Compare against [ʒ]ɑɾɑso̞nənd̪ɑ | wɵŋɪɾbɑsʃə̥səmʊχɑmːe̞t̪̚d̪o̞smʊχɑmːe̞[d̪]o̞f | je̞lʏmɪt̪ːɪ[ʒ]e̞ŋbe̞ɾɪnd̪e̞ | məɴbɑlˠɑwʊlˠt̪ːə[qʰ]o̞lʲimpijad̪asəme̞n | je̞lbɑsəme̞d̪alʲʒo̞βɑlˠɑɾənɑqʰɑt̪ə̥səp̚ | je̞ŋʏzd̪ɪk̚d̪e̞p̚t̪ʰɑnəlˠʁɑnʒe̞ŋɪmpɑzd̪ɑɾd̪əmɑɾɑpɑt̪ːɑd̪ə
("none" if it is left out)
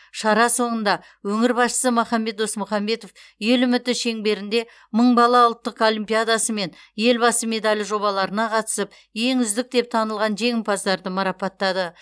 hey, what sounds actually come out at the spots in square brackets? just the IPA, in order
ʃ, t̪, ʃ, q

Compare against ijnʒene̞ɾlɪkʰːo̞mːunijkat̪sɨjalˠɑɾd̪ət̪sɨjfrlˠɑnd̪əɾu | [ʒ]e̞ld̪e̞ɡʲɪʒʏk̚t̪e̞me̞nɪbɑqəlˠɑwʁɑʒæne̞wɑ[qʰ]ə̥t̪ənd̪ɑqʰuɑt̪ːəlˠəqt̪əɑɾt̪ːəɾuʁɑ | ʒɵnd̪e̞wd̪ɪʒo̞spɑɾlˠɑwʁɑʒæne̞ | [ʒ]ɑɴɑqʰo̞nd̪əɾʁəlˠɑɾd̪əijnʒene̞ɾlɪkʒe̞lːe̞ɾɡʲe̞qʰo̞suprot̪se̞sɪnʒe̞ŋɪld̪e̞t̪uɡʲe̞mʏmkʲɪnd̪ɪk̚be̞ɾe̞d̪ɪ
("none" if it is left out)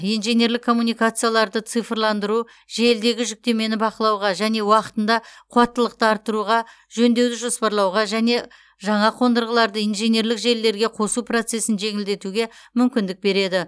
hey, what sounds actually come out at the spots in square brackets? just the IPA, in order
ʒ, q, ʒ

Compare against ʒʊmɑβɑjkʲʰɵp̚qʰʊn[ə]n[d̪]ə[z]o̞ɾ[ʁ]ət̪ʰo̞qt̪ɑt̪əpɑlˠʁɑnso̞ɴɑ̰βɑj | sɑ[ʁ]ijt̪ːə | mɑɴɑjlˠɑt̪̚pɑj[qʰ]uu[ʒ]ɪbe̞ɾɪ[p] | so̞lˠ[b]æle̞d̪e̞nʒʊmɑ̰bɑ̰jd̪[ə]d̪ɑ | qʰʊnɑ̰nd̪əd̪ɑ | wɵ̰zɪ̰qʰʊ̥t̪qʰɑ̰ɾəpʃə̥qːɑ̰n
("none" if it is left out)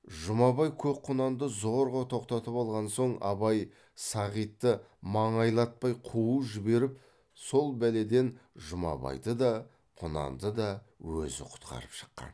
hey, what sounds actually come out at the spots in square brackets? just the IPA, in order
ɑ, d̪, z, ʁ, ʁ, qʰ, ʒ, p, b, ə

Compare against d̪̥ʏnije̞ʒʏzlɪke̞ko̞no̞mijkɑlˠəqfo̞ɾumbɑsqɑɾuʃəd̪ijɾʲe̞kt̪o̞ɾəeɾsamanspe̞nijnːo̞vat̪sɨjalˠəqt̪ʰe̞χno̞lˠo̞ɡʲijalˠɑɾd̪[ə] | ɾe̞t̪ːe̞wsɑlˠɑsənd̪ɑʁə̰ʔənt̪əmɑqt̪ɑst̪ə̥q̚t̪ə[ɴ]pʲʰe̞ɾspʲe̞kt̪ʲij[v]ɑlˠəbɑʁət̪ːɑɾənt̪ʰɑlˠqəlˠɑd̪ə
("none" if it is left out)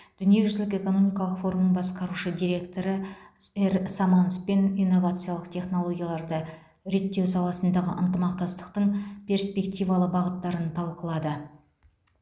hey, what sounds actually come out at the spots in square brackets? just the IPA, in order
ə, ɴ, v

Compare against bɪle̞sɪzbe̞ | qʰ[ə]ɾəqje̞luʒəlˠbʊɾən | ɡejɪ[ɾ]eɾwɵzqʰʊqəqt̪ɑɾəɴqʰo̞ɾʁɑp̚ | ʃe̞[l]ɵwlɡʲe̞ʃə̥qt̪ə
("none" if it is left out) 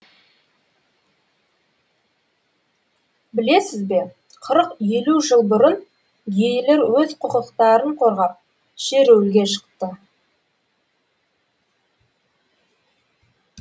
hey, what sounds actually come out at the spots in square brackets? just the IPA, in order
ə, l, ɾ

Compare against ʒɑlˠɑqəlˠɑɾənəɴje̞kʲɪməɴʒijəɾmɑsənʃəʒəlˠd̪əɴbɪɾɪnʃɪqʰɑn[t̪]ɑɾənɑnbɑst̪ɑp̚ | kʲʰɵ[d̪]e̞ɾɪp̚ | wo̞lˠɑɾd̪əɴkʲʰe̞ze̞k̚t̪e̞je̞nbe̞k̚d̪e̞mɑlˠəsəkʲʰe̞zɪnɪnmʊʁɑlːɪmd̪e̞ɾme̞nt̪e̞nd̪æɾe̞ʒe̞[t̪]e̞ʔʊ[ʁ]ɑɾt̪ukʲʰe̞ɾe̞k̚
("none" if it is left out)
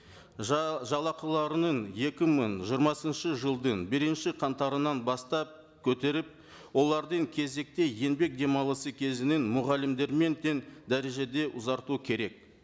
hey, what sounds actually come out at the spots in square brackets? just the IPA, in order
t̪, t̪, d̪, z

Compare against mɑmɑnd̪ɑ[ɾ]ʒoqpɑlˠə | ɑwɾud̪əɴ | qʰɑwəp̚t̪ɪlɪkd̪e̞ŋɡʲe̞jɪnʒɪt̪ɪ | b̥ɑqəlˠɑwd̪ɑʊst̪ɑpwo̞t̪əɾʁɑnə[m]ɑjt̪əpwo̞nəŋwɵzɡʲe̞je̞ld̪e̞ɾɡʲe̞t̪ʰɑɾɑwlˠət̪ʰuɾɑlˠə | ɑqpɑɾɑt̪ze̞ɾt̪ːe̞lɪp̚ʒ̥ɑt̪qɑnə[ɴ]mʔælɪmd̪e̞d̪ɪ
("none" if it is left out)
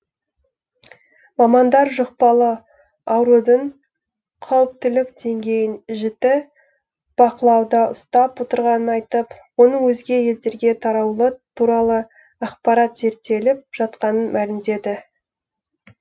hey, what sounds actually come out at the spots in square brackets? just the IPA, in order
ɾ, n, n

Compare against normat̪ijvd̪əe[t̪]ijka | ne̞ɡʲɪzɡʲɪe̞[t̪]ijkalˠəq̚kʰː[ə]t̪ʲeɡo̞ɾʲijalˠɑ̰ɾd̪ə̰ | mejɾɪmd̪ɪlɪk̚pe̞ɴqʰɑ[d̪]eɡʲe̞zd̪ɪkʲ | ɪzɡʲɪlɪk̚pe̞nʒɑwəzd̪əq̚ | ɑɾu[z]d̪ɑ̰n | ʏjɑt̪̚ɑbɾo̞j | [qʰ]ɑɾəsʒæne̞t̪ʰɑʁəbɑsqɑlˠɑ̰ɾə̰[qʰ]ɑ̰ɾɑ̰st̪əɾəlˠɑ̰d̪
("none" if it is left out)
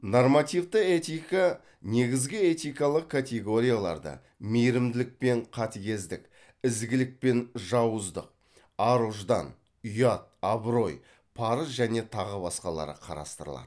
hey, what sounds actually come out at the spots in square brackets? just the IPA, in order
t̪, t̪, a, t̪, ʒ, pʰ, qʰ

